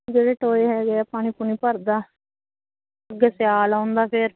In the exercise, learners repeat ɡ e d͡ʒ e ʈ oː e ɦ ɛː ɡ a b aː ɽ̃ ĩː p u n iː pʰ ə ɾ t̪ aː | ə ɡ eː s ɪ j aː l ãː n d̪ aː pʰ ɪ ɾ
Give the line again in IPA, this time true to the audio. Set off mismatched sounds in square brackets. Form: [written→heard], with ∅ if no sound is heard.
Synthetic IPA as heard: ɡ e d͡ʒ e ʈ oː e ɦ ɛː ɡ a [b→p] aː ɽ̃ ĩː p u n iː [pʰ→p] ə ɾ [t̪→d̪] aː | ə ɡ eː s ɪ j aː l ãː n d̪ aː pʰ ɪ ɾ

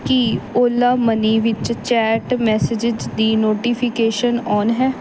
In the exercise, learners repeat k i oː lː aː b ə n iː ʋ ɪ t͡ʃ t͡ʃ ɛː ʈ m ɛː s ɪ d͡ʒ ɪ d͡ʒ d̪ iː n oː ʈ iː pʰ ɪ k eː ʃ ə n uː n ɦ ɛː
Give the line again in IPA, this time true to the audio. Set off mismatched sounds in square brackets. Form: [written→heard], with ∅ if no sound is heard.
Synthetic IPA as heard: k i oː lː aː [b→m] ə n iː ʋ ɪ t͡ʃ t͡ʃ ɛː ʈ m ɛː s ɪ d͡ʒ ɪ d͡ʒ d̪ iː n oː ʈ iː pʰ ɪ k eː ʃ ə n [uː→ɔː] n ɦ ɛː

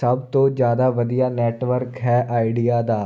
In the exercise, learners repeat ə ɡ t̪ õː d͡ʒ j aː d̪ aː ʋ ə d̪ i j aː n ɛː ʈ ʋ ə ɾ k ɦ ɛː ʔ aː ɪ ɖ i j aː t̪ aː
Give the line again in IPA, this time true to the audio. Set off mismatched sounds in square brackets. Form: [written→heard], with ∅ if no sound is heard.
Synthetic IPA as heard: ə [ɡ→b] t̪ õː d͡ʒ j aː d̪ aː ʋ ə d̪ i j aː n ɛː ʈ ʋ ə ɾ k ɦ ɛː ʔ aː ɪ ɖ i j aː [t̪→d̪] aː

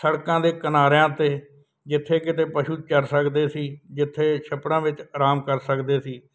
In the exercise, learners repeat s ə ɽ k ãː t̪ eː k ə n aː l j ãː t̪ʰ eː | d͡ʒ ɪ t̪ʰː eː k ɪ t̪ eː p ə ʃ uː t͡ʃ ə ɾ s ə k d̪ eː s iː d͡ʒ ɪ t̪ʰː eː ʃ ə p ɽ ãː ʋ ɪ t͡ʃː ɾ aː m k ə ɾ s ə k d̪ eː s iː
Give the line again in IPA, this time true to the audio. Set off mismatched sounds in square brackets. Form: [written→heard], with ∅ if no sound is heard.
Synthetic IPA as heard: s ə ɽ k ãː [t̪→d̪] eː k ə n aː [l→ɾ] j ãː [t̪ʰ→t̪] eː | d͡ʒ ɪ t̪ʰː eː k ɪ t̪ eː p ə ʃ uː t͡ʃ ə ɾ s ə k d̪ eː s iː d͡ʒ ɪ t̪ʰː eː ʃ ə p ɽ ãː ʋ ɪ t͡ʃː ɾ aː m k ə ɾ s ə k d̪ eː s iː

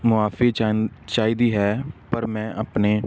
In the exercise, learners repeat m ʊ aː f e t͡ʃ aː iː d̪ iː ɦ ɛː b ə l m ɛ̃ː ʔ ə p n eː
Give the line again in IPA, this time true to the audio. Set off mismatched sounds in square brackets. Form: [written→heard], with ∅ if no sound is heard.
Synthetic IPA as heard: m ʊ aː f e t͡ʃ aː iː d̪ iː ɦ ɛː [b→p] ə [l→ɾ] m ɛ̃ː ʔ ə p n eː

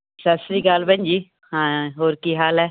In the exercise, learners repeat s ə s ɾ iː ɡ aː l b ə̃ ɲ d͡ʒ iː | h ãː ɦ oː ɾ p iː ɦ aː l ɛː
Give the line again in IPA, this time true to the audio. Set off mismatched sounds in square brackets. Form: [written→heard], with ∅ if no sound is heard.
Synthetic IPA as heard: s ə s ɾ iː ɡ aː l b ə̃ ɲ d͡ʒ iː | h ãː ɦ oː ɾ [p→k] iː ɦ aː l ɛː

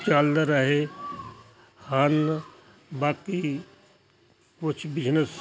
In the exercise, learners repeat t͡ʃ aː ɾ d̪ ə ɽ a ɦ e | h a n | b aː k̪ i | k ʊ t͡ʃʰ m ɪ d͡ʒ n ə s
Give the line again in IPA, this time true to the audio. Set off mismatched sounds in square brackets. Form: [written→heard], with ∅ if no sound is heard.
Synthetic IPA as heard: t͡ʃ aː [ɾ→l] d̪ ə [ɽ→ɾ] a ɦ e | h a n | b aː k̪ i | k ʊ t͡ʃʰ [m→b] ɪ d͡ʒ n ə s

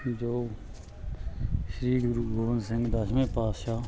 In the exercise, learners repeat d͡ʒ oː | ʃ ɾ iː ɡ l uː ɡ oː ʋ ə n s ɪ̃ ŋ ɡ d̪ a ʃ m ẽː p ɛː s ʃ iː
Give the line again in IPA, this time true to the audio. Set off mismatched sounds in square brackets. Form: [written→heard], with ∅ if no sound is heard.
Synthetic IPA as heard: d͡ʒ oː | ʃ ɾ iː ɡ [l→ɾ] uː ɡ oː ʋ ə n s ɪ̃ ŋ ɡ d̪ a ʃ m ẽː p [ɛː→aː] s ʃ [iː→aː]

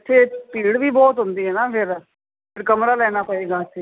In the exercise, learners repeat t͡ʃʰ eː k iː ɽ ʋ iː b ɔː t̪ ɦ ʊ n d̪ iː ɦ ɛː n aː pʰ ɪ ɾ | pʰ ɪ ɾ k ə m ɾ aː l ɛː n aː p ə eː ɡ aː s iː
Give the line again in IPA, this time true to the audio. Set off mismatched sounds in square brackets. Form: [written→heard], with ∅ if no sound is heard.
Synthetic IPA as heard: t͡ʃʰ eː [k→p] iː ɽ ʋ iː b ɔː t̪ ɦ ʊ n d̪ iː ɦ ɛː n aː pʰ ɪ ɾ | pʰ ɪ ɾ k ə m ɾ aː l ɛː n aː p ə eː ɡ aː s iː

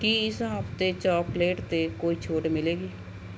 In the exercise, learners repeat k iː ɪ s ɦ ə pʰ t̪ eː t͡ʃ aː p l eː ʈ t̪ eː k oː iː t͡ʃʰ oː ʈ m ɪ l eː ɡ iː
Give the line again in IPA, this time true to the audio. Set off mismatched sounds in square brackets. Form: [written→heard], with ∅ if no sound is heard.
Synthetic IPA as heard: k iː ɪ s ɦ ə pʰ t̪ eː t͡ʃ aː p l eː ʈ t̪ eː k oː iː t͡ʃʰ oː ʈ m ɪ l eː ɡ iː

